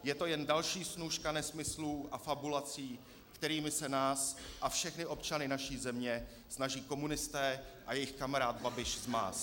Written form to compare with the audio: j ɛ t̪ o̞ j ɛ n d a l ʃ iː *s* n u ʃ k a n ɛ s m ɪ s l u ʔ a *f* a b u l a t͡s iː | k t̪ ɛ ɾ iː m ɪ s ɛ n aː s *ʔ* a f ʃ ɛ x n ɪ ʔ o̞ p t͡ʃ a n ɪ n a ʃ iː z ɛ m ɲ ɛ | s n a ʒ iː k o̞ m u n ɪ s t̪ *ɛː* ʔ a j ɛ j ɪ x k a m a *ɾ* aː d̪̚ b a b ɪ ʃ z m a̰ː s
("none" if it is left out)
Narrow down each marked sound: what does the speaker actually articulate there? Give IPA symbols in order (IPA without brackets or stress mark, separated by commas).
s, f, ʔ, ɛː, ɾ